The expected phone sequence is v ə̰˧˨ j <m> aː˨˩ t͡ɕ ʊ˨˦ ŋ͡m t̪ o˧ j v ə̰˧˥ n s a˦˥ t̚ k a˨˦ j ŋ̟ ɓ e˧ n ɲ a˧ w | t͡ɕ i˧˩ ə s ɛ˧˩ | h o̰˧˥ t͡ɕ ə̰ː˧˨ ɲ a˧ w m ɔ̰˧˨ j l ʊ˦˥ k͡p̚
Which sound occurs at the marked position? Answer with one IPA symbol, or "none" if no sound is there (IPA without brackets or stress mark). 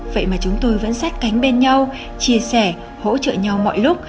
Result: m